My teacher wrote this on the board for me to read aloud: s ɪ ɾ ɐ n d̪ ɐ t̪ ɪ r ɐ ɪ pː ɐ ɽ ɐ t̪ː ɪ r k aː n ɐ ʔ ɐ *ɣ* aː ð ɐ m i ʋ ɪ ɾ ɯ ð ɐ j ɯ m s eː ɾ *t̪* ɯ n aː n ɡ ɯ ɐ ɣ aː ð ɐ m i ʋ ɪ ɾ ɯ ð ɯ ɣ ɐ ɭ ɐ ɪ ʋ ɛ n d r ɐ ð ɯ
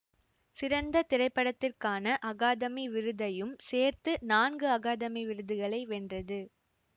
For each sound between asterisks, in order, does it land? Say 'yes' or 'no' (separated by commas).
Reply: yes, yes